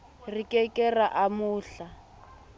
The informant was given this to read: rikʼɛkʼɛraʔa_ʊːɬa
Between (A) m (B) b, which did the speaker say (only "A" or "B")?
A